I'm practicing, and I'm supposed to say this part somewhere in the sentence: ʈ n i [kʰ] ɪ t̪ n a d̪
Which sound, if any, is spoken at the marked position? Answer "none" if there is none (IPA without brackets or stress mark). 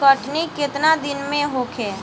k